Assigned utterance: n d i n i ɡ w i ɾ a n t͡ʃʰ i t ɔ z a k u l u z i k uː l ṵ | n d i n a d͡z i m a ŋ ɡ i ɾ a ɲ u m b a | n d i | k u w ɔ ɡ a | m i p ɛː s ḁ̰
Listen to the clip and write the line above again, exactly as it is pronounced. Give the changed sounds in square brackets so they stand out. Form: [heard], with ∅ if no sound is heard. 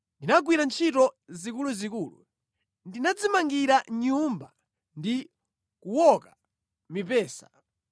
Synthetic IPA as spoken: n d i n [a] ɡ w i ɾ a n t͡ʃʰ i t ɔ z [i] k u l u z i k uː l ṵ | n d i n a d͡z i m a ŋ ɡ i ɾ a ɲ u m b a | n d i | k u w ɔ [k] a | m i p ɛː s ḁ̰